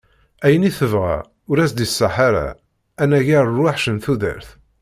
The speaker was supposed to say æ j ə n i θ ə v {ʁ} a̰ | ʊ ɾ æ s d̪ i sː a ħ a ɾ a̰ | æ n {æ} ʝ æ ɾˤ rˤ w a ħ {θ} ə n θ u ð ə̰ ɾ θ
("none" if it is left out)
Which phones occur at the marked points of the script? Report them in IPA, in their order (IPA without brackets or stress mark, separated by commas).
ʁ, æ, ʃ